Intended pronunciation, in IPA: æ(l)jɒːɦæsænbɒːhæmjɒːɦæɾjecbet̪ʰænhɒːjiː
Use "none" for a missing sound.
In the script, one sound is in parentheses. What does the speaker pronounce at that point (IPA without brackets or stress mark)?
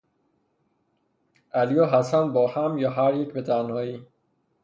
l